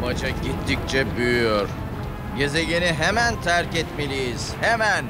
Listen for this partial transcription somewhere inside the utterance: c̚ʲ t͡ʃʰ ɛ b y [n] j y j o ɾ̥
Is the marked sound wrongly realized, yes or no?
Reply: yes